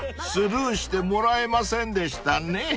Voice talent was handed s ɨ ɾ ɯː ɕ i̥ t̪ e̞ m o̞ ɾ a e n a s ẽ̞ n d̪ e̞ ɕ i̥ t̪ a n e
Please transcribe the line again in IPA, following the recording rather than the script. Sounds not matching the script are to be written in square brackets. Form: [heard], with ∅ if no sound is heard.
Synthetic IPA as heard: s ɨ ɾ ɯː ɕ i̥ t̪ e̞ m o̞ ɾ a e [m] a s ẽ̞ n d̪ e̞ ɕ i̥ t̪ a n e